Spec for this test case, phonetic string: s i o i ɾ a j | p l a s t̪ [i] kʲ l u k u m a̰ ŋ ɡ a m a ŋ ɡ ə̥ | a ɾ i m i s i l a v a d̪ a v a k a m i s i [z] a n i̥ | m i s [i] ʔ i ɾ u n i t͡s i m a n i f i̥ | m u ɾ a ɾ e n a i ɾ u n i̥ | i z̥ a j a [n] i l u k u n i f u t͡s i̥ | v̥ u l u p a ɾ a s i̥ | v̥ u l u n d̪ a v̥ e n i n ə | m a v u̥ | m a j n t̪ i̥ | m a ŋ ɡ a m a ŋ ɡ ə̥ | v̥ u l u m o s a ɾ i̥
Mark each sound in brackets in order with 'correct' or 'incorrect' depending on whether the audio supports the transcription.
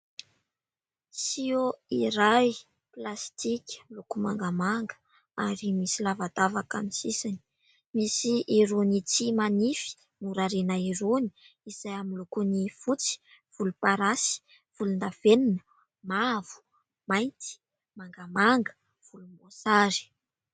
correct, incorrect: s, correct, incorrect: m

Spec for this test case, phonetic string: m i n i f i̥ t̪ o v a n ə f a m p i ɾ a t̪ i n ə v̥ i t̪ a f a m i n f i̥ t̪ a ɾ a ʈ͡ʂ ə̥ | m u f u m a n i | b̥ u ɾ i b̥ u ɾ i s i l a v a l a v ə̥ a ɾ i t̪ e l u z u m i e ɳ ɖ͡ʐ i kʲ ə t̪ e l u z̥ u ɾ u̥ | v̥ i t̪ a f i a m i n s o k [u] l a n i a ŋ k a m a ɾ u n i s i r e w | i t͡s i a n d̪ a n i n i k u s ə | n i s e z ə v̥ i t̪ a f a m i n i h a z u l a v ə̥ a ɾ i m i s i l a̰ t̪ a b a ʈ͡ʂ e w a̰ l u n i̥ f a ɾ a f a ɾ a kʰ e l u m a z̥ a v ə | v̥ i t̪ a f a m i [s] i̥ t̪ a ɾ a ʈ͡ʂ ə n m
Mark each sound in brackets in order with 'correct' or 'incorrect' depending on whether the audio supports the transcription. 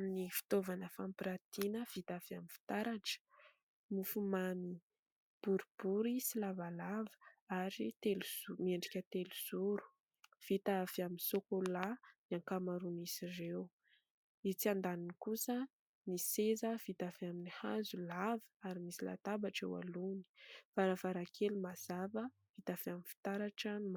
incorrect: o, incorrect: f

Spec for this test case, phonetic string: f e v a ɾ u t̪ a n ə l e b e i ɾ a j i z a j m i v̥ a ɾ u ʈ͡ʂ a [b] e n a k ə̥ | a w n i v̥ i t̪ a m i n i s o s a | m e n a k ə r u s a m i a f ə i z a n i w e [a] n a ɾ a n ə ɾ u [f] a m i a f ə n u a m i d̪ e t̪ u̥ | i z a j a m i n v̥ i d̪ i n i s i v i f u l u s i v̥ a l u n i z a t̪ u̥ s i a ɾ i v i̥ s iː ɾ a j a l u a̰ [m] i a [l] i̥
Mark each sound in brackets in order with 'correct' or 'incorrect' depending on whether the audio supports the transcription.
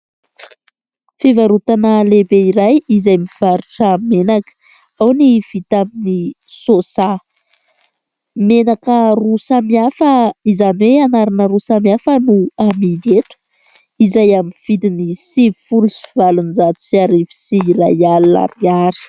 incorrect: m, correct, incorrect: s, correct, incorrect: ɾ

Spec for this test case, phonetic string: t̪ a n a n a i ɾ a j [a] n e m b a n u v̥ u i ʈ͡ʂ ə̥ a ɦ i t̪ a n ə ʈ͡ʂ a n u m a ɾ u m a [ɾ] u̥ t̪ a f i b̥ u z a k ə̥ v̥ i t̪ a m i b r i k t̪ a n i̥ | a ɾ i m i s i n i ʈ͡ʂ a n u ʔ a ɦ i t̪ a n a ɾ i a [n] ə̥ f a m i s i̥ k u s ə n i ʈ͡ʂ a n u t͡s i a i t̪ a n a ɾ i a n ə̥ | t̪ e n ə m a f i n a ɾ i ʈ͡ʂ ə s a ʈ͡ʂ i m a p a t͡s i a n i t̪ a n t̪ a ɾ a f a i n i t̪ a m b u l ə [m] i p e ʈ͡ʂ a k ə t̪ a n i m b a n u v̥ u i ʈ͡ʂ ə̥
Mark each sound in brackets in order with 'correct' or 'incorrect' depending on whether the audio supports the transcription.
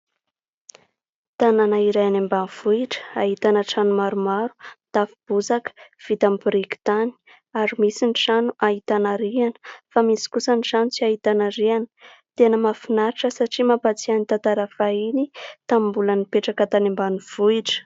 correct, correct, correct, incorrect: n

